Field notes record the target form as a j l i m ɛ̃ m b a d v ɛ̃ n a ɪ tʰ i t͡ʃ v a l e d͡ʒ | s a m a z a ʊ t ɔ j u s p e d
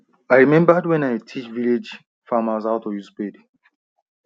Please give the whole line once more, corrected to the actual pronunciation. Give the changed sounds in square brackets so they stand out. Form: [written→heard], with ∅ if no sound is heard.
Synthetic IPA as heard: a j [l→ɹ] i m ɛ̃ m b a d [v→w] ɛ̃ n a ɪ tʰ i t͡ʃ v [a→i] l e d͡ʒ | [s→f] a m a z a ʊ t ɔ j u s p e d